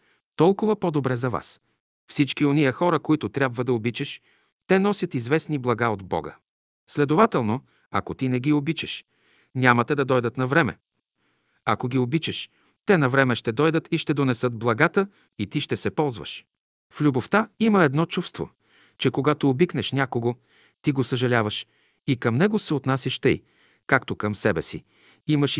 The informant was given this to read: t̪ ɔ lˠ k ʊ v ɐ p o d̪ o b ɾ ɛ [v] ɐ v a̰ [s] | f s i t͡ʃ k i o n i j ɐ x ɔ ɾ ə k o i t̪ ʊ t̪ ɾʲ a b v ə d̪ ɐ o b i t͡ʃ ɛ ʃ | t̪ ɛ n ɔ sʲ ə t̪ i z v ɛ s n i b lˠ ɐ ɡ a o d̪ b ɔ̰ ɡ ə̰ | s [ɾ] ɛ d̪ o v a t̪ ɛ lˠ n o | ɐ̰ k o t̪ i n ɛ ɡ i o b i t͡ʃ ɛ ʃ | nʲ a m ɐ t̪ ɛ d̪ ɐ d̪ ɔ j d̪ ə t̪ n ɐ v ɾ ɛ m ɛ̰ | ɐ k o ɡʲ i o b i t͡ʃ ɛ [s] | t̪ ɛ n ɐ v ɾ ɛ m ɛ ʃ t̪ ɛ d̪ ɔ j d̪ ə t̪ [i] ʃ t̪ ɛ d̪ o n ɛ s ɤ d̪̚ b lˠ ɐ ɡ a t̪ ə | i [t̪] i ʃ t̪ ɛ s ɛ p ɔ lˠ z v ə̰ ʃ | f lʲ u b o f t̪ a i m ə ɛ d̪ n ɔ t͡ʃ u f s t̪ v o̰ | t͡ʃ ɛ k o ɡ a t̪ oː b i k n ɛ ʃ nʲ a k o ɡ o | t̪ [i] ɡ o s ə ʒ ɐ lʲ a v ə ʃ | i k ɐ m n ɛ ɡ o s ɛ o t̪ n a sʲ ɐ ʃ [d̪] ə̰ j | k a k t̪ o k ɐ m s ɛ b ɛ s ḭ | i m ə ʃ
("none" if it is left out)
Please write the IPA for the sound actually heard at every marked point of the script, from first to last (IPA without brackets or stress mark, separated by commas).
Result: z, s, l, ʃ, i, t̪, i, t̪